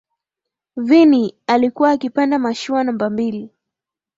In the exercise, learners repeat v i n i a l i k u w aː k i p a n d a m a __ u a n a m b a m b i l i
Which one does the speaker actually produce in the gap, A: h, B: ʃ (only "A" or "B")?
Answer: B